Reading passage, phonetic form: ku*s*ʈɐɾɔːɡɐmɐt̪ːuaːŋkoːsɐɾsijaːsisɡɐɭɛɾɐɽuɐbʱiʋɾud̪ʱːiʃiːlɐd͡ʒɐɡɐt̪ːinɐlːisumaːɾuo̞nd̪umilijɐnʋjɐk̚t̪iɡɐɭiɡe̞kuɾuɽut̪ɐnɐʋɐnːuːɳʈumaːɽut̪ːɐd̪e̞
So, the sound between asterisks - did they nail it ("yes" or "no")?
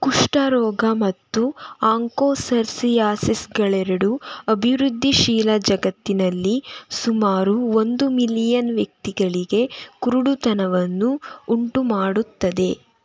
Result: no